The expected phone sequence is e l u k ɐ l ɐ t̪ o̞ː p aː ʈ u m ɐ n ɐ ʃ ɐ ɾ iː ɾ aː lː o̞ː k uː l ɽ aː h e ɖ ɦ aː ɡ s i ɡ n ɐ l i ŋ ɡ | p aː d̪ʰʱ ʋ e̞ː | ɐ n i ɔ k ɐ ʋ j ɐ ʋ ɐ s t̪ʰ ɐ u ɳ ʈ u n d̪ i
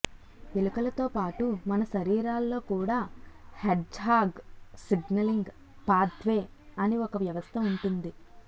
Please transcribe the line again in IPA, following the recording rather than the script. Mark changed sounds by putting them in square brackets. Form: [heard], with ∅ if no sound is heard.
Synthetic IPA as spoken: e l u k ɐ l ɐ t̪ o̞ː p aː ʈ u m ɐ n ɐ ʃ ɐ ɾ iː ɾ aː lː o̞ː k uː [∅] ɽ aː h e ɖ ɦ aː ɡ s i ɡ n ɐ l i ŋ ɡ | p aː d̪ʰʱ ʋ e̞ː | ɐ n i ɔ k ɐ ʋ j ɐ ʋ ɐ s t̪ʰ ɐ u ɳ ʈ u n d̪ i